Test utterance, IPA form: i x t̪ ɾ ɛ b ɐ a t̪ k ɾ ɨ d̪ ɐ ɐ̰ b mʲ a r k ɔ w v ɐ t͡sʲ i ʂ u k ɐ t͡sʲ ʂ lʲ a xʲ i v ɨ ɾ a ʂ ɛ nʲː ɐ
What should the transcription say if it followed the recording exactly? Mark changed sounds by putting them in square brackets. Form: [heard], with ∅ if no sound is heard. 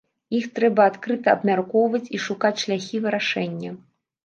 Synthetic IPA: i x t̪ ɾ ɛ b ɐ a t̪ k ɾ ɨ [t̪] ɐ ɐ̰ b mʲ a r k ɔ w v ɐ t͡sʲ i ʂ u k [a] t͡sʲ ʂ lʲ a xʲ i v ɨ ɾ a ʂ ɛ nʲː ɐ